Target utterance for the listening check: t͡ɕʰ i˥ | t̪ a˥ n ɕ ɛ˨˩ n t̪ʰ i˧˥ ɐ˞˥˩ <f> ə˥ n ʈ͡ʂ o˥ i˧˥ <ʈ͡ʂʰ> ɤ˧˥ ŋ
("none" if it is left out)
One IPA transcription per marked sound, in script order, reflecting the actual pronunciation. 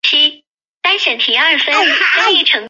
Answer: f, ʈ͡ʂʰ

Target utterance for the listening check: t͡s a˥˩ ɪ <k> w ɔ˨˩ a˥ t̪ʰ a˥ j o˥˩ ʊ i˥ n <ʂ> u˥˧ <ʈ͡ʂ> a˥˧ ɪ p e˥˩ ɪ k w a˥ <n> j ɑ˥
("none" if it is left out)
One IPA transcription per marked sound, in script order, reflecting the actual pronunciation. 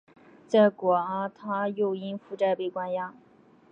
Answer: k, f, ʈ͡ʂ, n

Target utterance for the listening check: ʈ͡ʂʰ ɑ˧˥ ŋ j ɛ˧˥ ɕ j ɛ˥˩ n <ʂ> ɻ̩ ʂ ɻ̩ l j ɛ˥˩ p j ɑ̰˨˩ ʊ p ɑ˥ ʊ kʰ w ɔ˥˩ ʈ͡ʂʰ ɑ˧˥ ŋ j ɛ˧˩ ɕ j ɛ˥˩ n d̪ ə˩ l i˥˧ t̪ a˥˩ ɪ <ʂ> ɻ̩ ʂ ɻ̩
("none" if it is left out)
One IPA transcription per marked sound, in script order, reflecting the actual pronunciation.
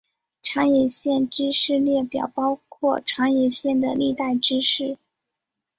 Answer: ʈ͡ʂ, ʈ͡ʂ

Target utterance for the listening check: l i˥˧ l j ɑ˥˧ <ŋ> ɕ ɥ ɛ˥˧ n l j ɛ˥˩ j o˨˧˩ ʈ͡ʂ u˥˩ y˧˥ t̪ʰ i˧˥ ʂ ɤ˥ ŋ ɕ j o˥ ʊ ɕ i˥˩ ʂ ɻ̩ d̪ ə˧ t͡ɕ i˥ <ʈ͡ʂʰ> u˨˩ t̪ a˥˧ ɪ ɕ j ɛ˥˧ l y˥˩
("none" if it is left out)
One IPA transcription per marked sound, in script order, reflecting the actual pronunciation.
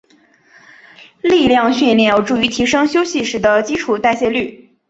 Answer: ŋ, ʈ͡ʂʰ

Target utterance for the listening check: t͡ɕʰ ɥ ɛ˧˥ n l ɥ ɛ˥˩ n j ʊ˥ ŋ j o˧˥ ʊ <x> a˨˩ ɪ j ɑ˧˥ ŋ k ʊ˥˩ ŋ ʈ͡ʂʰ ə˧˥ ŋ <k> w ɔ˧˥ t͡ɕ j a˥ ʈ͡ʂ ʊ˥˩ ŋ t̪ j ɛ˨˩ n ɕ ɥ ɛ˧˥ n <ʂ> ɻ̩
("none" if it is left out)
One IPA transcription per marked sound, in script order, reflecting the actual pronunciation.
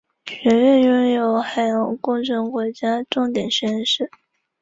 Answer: x, k, ʂ

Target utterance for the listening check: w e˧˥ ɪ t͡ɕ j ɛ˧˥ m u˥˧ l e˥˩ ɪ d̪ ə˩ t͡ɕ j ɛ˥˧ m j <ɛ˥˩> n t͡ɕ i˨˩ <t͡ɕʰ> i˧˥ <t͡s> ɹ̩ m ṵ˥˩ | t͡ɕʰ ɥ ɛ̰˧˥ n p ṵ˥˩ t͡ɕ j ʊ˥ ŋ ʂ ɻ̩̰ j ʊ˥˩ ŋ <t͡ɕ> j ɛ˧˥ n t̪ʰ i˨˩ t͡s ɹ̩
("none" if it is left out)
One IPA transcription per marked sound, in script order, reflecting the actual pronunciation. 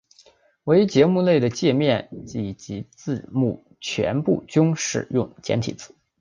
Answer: ɛ˥˩, t͡ɕ, t͡s, t͡ɕ

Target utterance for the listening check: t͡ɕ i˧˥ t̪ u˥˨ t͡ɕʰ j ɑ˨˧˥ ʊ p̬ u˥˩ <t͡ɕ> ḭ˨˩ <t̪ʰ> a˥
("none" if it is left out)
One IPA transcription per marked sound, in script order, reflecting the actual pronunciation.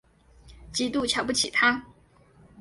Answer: t͡ɕʰ, t̪ʰ

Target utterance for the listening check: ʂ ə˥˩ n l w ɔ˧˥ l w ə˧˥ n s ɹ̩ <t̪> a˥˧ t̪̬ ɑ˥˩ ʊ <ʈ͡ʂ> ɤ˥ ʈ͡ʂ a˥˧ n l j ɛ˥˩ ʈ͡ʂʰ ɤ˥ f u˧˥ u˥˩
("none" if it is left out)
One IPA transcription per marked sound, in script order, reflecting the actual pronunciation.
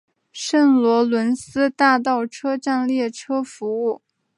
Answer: t̪, ʈ͡ʂʰ

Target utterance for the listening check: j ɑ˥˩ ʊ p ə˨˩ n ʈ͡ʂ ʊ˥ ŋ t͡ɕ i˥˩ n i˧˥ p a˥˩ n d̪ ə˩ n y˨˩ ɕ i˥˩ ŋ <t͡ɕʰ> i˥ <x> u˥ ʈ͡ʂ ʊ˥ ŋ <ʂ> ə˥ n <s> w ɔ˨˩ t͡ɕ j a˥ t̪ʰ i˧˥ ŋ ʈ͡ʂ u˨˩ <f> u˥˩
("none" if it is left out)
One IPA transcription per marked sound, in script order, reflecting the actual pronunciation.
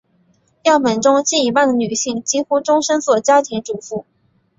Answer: t͡ɕ, x, ʂ, s, f

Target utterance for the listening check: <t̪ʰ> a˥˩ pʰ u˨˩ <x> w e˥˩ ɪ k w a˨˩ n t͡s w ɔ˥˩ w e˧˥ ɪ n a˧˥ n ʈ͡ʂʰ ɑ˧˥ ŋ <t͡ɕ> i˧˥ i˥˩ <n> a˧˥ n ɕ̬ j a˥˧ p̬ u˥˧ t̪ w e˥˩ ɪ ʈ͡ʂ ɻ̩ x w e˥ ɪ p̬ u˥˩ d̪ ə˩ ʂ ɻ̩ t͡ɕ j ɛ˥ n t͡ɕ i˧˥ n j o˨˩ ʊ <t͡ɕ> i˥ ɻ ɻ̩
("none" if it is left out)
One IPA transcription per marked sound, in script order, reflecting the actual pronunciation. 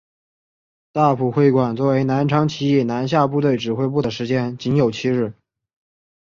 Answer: t̪, x, t͡ɕʰ, n, t͡ɕʰ

